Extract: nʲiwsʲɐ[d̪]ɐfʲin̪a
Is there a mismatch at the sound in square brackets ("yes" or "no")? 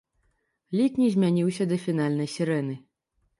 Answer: no